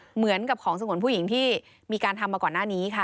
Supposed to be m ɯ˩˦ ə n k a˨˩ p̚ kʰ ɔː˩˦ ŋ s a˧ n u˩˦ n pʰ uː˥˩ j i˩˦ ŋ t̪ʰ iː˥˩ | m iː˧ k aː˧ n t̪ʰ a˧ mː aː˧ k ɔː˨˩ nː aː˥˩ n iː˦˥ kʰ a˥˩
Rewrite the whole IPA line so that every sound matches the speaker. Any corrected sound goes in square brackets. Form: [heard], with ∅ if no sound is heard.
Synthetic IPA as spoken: m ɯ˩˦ ə n k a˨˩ p̚ kʰ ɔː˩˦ ŋ s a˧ [ŋ] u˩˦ n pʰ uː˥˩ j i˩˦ ŋ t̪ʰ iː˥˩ | m iː˧ k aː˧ n t̪ʰ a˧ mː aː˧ k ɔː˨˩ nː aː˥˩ n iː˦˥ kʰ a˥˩

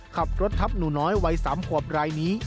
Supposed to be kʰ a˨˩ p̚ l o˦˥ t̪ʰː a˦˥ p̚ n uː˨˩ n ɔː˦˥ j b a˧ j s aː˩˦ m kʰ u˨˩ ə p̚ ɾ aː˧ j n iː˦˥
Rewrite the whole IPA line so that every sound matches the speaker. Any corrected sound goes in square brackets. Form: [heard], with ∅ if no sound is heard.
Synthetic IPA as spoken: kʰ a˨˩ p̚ [ɾ] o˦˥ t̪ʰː a˦˥ p̚ n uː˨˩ n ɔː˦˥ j [w] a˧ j s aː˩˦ m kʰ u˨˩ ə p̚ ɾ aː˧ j n iː˦˥

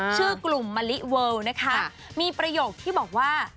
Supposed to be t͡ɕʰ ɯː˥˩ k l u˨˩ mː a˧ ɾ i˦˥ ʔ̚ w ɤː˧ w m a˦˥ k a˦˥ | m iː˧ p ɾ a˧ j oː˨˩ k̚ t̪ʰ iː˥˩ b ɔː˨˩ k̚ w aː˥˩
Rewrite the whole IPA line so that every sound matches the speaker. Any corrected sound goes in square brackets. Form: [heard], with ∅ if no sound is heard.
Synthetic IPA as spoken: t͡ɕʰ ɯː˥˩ k l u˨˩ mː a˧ [l] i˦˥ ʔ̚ w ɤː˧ w [n] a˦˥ [kʰ] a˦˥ | m iː˧ p ɾ a˧ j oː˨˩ k̚ t̪ʰ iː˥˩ b ɔː˨˩ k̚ w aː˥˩

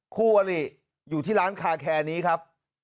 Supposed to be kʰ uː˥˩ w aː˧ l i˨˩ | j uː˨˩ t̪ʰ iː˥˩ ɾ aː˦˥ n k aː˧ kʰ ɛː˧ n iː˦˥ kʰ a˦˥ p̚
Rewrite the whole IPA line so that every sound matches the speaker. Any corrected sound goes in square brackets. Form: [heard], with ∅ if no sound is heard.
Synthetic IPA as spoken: kʰ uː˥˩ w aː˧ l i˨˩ | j uː˨˩ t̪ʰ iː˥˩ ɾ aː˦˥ n [kʰ] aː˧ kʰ ɛː˧ n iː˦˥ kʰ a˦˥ p̚

